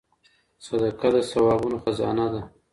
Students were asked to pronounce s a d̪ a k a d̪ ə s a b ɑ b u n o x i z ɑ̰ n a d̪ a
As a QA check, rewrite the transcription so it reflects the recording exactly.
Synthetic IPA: s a d̪ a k a d̪ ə s a w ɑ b u n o x a z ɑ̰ n a d̪ a